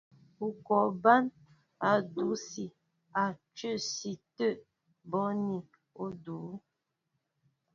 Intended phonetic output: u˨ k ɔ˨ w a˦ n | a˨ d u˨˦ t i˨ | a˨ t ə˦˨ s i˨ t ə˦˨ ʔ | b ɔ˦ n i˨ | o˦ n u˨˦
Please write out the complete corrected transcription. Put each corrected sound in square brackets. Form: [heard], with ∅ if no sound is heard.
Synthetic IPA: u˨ k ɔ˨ [b] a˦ n | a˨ d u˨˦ [s] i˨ | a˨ [t͡ʃ] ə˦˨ s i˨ t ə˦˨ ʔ | b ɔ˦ n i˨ | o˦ [d] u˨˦